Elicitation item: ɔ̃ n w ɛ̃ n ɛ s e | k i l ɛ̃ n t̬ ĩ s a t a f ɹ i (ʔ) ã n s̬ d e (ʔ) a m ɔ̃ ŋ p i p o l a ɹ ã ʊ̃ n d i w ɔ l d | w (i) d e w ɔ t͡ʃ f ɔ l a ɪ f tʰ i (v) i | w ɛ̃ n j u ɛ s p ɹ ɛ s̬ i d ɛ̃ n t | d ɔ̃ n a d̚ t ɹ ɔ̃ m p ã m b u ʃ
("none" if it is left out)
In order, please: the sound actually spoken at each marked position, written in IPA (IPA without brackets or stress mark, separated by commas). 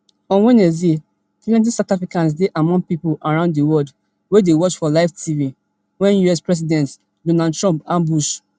k, ʔ, e, v